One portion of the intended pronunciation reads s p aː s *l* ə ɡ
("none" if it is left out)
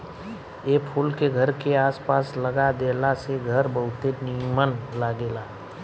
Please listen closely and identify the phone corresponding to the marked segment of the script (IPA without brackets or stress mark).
l